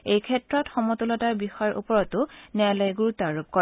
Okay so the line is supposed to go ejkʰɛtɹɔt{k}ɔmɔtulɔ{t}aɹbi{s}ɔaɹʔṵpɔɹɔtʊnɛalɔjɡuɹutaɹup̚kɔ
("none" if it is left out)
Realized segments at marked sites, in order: x, t, x

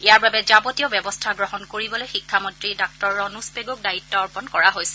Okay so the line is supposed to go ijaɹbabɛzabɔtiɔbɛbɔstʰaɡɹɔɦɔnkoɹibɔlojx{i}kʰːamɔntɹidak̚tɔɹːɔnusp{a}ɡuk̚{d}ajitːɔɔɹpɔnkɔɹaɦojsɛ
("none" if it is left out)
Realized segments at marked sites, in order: i, e, d

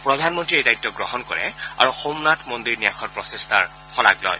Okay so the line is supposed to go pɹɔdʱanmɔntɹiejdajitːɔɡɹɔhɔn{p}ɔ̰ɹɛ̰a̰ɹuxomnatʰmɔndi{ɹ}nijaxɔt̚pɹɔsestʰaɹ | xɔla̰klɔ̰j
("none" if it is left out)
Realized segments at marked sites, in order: k, ɹ

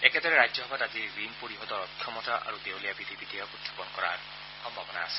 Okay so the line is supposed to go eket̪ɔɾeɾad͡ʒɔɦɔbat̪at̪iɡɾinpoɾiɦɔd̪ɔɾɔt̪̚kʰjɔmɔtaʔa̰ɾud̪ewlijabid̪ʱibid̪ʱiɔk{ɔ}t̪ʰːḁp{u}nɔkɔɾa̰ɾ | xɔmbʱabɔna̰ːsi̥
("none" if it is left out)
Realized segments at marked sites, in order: u, ɔ

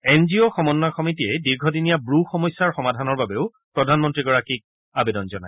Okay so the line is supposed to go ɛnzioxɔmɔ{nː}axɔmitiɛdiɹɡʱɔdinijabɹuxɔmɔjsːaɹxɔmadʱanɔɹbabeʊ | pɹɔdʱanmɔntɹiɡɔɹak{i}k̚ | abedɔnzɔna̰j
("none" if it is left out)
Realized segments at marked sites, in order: nː, i

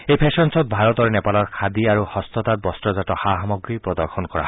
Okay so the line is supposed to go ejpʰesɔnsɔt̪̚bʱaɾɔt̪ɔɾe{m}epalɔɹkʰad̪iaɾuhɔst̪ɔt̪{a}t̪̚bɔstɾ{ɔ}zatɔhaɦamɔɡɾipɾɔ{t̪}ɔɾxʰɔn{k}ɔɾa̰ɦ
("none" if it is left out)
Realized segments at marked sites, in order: n, a, ɔ, d̪, k

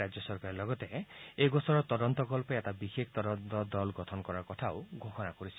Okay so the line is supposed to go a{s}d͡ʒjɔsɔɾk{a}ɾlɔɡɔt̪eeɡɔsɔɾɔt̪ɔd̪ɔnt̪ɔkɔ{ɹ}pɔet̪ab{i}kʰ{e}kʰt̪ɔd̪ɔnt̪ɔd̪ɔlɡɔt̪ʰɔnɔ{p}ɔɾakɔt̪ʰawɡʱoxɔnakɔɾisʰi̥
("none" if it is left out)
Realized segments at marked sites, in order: none, a, l, i, e, k

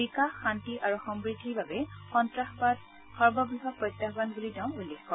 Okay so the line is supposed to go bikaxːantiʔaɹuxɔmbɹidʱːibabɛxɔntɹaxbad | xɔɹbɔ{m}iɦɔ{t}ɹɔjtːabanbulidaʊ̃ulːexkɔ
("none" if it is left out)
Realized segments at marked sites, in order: b, p

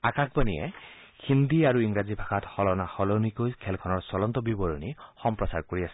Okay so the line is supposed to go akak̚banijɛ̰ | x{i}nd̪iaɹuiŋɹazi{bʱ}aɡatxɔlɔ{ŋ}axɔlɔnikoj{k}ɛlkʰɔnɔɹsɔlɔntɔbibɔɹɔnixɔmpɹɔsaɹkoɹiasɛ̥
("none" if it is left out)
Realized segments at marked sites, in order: i, bʱ, n, kʰ

